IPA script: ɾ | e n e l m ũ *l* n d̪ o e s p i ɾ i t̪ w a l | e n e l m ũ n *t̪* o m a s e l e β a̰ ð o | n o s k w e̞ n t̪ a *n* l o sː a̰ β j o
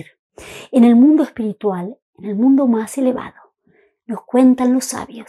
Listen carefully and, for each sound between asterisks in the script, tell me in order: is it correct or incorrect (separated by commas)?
incorrect, incorrect, correct